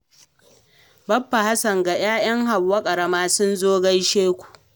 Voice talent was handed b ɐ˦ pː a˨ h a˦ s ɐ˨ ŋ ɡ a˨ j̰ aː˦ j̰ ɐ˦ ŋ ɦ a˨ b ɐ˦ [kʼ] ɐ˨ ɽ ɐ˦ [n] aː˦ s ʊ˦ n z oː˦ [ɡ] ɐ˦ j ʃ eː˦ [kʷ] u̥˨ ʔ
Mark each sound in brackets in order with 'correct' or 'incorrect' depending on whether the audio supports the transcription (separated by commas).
correct, incorrect, correct, correct